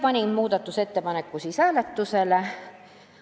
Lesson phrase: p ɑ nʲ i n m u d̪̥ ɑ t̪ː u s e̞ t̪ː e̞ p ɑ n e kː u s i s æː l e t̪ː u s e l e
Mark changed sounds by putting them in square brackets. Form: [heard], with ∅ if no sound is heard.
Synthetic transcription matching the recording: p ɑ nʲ i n m [uː] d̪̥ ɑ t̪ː u s e̞ t̪ː e̞ p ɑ n e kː u s i s æː l e t̪ː u s e l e